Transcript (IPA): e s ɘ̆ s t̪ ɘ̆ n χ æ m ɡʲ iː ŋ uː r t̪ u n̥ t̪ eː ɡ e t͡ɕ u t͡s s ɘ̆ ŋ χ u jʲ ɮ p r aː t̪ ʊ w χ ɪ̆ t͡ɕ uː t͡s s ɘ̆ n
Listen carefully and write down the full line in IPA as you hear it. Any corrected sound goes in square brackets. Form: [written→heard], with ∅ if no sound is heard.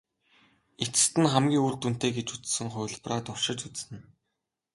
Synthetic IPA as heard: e [s→t͡s] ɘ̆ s t̪ ɘ̆ n χ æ m ɡʲ iː ŋ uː r t̪ u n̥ t̪ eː ɡ e t͡ɕ u t͡s s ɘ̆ ŋ χ [u→ʊ] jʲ ɮ p r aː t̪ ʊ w [χ→ʃ] ɪ̆ t͡ɕ [uː→u] t͡s s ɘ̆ n